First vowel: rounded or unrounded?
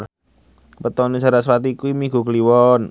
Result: unrounded